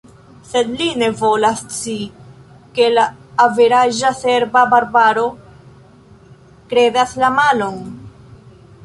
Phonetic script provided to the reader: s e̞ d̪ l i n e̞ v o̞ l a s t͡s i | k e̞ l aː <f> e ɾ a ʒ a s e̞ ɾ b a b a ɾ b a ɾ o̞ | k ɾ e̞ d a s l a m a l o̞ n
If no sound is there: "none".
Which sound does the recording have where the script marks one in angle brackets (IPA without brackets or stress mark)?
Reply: v